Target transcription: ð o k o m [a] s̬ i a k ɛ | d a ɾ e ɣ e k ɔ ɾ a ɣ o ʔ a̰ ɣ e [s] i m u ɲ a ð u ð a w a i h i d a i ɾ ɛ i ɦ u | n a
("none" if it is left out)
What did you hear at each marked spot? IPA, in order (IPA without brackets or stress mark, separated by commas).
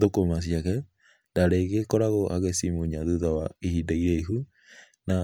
a, s